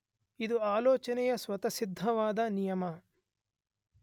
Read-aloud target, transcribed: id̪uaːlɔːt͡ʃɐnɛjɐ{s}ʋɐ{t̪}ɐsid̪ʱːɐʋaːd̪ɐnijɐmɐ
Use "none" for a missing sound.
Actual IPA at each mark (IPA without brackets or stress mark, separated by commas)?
s, t̪